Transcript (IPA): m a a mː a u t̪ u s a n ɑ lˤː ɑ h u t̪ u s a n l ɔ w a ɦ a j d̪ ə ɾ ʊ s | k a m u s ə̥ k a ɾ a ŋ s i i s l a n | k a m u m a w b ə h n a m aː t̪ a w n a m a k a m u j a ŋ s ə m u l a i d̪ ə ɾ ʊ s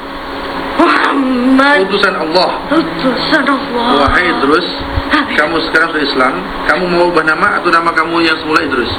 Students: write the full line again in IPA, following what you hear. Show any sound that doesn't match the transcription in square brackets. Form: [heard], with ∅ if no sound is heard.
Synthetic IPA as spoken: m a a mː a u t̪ u s a n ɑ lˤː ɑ h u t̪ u s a n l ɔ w a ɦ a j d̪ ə ɾ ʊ s | k a m u s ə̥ k a ɾ a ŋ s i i s l a [m] | k a m u m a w b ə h n a m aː t̪ a w n a m a k a m u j a ŋ s ə m u l a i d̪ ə ɾ ʊ s